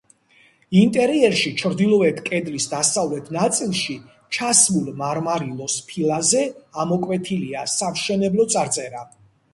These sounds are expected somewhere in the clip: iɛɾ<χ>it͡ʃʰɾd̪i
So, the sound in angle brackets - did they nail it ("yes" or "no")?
no